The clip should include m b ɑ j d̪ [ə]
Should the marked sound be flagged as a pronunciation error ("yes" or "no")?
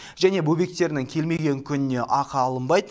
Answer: no